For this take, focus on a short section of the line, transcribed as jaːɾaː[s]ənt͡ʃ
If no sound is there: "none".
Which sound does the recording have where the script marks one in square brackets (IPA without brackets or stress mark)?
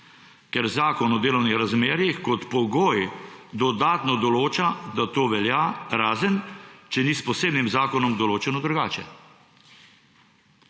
z